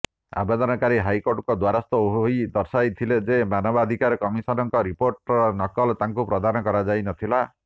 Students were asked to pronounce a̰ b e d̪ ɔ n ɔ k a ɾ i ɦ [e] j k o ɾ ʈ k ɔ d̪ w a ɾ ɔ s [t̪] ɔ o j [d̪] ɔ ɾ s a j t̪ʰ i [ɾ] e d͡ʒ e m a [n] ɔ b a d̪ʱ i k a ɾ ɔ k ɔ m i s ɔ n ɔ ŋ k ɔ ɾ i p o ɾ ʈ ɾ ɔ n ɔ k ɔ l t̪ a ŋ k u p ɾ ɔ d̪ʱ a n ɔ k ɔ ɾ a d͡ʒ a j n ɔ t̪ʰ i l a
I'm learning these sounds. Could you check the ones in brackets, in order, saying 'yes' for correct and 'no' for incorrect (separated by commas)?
no, yes, yes, no, yes